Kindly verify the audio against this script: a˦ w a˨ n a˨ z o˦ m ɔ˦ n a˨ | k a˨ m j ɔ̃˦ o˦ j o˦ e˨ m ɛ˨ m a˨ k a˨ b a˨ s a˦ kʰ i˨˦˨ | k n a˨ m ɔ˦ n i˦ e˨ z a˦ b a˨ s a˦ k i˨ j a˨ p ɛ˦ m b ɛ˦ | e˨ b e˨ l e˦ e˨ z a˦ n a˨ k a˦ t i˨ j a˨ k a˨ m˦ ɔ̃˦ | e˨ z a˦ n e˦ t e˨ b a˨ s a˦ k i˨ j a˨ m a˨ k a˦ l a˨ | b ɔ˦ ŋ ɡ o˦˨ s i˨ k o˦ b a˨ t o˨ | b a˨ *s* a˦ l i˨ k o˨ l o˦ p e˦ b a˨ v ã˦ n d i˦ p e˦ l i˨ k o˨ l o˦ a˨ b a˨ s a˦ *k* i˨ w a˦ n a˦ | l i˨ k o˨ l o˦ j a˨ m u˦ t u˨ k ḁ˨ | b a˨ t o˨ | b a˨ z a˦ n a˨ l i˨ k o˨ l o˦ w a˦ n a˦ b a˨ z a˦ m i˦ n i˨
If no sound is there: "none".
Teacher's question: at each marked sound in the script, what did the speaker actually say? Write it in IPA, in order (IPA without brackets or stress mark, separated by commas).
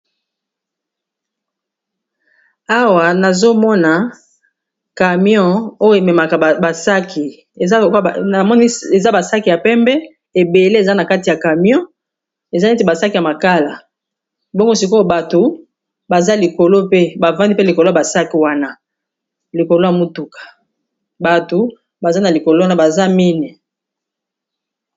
z, k